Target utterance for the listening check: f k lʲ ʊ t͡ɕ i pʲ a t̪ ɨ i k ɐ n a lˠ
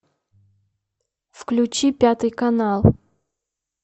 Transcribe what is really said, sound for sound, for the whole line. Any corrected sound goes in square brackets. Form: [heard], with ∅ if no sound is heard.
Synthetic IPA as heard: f k lʲ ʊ t͡ɕ i pʲ a t̪ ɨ [j] k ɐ n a lˠ